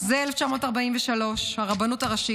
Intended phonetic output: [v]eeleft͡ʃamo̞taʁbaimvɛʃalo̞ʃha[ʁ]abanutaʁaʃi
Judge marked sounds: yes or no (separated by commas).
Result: no, yes